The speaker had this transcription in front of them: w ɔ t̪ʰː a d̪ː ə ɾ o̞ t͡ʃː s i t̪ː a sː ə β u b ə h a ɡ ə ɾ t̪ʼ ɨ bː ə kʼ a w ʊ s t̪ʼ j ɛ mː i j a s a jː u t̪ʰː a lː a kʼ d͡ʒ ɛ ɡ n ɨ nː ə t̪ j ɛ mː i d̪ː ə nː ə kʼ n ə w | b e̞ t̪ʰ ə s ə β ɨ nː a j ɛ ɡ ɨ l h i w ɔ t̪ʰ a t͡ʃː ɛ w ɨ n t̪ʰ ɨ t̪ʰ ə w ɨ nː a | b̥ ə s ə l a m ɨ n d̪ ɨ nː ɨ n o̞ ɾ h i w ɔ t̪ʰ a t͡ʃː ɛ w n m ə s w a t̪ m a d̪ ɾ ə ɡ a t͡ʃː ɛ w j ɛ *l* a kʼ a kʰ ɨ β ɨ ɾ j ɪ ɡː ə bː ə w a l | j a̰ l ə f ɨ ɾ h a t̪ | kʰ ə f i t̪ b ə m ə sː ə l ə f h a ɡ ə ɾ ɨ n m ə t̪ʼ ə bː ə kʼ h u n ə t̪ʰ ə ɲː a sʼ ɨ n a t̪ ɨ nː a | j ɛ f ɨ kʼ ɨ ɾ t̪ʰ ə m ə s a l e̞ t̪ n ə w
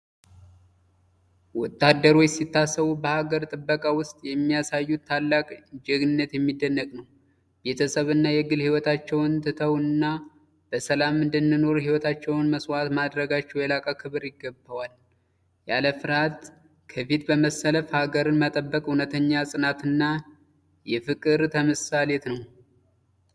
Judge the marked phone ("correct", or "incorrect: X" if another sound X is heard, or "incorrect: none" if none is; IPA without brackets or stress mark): correct